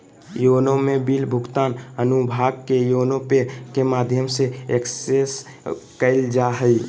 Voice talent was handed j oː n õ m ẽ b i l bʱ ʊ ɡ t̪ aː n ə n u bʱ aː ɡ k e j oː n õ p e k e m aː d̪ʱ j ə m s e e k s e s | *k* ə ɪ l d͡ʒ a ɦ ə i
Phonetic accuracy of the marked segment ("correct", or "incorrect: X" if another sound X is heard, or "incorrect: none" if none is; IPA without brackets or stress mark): correct